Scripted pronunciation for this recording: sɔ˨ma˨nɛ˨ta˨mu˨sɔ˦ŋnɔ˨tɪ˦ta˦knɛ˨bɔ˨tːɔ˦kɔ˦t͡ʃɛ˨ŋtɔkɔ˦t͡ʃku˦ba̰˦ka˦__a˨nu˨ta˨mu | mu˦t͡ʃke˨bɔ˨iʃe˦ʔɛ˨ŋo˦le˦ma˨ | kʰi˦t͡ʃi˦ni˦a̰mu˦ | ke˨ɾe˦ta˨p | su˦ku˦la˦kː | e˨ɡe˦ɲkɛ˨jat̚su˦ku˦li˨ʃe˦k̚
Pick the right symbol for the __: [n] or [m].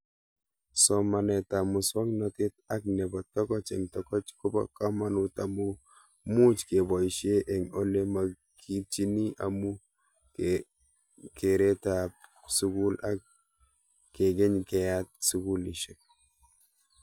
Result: m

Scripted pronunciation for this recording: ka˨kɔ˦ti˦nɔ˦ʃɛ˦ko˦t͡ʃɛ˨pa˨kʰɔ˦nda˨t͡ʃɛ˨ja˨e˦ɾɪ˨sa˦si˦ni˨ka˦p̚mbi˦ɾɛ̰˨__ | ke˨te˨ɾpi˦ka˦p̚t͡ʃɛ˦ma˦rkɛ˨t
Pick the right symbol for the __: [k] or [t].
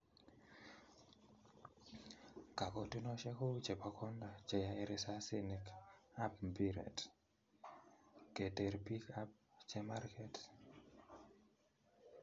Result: t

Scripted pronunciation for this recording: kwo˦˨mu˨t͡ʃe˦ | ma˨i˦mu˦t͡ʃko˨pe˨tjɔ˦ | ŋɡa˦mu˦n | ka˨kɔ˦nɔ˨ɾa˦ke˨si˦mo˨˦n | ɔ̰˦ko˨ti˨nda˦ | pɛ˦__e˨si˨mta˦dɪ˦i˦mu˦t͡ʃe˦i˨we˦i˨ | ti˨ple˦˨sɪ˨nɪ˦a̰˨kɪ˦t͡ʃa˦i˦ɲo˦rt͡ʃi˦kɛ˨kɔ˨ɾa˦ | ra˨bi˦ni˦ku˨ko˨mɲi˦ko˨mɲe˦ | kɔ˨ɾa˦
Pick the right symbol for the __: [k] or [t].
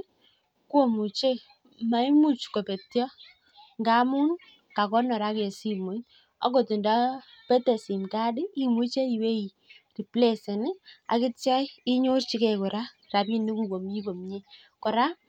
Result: t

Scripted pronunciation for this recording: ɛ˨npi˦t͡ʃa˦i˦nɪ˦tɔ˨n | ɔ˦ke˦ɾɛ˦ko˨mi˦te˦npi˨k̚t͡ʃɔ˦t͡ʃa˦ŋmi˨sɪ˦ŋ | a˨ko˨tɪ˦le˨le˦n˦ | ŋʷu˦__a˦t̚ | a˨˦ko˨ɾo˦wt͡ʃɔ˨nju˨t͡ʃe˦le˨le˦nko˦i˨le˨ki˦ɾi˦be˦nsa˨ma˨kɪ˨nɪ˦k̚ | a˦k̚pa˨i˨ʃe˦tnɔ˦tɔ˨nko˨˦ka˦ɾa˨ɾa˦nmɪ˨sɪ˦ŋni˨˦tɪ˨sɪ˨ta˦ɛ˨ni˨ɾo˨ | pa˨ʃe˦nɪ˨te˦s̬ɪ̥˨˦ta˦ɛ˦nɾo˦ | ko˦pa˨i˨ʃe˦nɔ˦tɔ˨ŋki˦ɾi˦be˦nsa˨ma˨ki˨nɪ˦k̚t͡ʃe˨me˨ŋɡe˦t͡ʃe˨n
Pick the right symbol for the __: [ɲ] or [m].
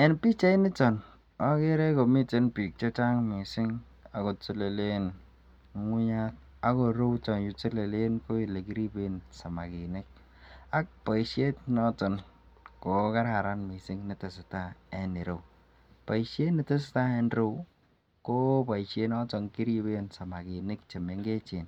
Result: ɲ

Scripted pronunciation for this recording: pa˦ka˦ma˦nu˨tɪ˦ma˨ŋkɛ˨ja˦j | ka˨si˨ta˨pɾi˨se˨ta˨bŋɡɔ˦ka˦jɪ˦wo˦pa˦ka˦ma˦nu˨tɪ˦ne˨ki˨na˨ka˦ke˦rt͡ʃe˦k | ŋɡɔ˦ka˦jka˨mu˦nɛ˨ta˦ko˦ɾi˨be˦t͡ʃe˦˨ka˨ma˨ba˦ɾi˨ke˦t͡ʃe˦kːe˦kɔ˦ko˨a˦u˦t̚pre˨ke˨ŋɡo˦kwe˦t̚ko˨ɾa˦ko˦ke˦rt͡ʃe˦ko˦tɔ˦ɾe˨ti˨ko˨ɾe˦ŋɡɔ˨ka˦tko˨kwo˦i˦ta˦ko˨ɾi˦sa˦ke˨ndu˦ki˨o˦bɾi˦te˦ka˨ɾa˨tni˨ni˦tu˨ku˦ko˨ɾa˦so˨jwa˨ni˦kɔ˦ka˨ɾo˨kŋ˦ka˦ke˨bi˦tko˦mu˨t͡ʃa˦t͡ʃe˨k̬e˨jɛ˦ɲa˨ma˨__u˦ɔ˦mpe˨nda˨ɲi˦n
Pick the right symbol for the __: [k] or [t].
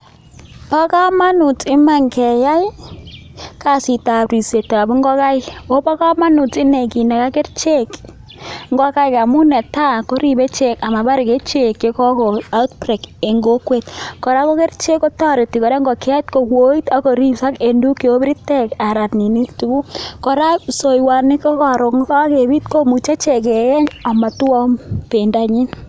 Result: t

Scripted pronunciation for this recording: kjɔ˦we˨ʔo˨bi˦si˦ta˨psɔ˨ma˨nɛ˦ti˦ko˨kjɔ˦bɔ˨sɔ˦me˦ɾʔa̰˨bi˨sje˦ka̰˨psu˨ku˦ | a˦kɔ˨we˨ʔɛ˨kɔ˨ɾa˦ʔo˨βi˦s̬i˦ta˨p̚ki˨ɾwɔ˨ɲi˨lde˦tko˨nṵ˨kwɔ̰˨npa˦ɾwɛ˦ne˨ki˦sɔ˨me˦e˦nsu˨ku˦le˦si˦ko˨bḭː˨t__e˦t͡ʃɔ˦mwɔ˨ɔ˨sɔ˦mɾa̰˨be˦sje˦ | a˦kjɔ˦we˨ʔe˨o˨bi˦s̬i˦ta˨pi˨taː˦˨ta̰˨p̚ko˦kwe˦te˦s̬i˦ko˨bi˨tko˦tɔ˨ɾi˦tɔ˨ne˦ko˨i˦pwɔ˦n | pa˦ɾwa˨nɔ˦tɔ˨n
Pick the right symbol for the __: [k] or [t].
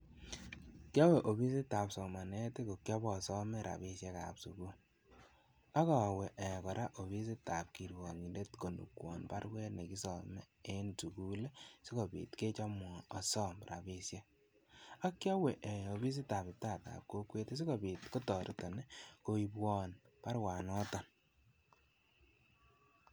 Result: k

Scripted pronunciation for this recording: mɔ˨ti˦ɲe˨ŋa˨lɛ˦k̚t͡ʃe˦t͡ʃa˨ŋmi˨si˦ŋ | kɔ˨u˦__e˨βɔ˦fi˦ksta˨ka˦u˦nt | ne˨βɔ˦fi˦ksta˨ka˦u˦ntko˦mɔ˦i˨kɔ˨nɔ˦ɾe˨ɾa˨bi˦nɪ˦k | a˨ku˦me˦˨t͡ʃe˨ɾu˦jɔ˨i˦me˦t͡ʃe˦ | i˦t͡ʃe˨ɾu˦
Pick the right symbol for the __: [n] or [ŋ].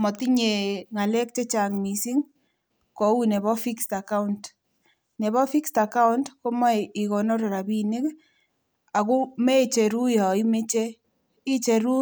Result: n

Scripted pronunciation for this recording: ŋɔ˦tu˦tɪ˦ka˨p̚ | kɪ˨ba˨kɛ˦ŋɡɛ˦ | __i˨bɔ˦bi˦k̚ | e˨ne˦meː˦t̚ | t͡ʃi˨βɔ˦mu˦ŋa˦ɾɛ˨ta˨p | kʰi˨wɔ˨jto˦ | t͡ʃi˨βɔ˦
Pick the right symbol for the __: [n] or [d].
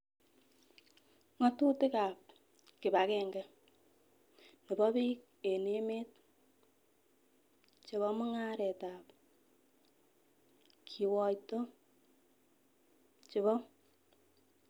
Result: n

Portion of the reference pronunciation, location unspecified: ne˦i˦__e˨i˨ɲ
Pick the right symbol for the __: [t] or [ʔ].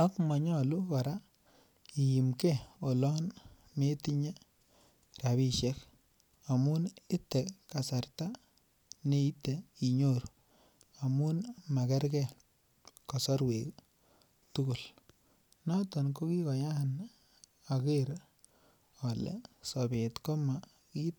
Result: t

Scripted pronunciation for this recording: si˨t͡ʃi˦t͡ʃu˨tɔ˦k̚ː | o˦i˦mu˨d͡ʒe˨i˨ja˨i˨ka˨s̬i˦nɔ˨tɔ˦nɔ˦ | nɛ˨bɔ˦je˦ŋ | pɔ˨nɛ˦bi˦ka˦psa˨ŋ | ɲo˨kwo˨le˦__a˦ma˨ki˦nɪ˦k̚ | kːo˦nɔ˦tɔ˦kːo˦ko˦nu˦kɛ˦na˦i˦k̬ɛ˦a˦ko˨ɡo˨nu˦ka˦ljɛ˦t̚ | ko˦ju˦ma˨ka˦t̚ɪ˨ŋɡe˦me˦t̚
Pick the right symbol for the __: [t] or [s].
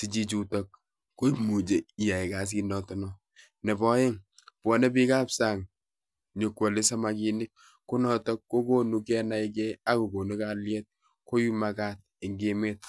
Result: s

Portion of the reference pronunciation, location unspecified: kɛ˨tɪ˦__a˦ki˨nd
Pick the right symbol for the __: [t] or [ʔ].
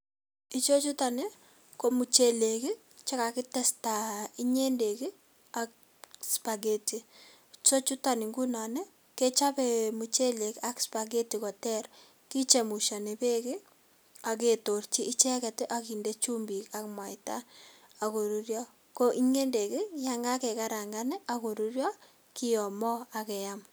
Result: ʔ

